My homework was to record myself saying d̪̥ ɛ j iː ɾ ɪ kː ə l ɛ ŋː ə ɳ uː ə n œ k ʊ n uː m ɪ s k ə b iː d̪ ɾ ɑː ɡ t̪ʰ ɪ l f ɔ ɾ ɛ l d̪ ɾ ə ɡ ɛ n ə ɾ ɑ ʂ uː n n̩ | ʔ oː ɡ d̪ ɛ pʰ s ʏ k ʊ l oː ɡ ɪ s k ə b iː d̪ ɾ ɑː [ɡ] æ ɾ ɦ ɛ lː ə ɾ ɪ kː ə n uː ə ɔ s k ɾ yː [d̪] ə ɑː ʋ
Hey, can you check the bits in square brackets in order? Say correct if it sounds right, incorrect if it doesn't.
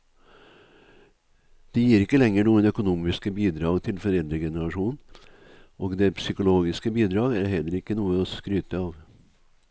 correct, incorrect

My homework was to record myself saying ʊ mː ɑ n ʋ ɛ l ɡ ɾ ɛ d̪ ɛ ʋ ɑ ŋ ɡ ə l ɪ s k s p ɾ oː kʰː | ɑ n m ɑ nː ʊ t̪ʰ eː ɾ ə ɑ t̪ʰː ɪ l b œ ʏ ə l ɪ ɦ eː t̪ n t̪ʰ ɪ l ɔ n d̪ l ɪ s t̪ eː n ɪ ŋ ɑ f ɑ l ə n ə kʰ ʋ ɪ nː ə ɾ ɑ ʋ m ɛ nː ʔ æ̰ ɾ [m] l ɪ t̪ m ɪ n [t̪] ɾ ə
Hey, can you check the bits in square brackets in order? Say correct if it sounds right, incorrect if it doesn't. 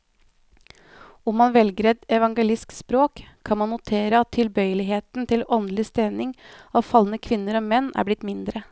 incorrect, incorrect

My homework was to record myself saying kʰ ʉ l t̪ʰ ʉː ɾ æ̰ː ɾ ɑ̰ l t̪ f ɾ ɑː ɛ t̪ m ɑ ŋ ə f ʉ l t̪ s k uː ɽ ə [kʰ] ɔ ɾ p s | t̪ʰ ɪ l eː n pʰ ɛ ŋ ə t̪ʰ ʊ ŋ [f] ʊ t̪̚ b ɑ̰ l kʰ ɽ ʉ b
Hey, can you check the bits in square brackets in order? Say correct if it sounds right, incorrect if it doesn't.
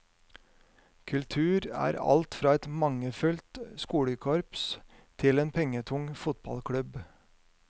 correct, correct

